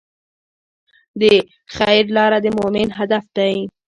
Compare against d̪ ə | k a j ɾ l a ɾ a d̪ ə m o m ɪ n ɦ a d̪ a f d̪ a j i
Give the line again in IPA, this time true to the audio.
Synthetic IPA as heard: d̪ ə | x a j ɾ l ɑ ɾ a d̪ ə m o m ɪ n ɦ a d̪ a f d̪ a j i